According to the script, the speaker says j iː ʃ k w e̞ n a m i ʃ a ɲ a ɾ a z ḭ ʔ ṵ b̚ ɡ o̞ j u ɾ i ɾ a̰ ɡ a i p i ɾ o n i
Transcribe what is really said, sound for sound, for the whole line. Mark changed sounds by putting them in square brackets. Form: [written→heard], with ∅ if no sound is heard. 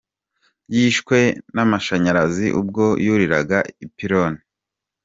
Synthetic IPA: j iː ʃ k w e̞ n a m [i→a] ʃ a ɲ a ɾ a z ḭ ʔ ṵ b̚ ɡ o̞ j u ɾ i ɾ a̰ ɡ a i p i ɾ o n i